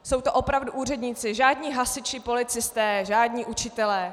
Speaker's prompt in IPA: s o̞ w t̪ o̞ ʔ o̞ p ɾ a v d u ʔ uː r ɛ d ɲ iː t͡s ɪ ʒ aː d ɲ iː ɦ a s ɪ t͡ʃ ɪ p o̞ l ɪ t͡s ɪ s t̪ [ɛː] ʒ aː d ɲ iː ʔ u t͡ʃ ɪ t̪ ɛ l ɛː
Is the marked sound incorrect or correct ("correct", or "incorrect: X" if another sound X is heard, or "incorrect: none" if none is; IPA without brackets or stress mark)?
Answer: correct